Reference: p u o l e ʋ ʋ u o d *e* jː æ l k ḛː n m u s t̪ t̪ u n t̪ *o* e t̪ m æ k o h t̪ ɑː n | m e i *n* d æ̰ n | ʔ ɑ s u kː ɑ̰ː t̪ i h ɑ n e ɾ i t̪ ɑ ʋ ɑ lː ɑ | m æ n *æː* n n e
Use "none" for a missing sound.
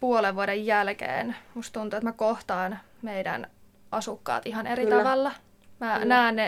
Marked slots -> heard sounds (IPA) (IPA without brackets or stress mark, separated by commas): e, u, none, æː